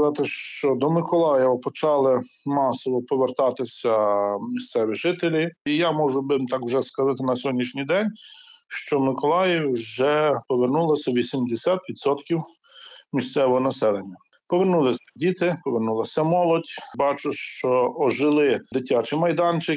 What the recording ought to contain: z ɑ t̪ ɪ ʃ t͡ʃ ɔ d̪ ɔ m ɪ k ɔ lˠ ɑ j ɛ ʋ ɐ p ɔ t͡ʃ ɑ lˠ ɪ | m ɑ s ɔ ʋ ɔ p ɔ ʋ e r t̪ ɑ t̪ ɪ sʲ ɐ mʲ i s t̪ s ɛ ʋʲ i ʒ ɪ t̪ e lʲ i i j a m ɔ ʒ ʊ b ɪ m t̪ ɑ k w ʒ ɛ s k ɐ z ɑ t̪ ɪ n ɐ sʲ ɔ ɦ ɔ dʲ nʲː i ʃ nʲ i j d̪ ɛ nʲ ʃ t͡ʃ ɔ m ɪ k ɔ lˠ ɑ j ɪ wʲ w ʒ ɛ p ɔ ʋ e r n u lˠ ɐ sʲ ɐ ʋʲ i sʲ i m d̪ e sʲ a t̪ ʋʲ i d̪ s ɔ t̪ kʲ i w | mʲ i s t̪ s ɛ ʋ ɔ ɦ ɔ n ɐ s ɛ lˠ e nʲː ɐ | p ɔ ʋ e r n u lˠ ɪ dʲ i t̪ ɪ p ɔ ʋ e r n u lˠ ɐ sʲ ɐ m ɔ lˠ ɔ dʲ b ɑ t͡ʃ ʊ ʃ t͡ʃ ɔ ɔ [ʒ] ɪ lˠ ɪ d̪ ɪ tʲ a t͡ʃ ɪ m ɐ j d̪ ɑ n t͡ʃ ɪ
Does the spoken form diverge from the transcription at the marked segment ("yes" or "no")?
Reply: no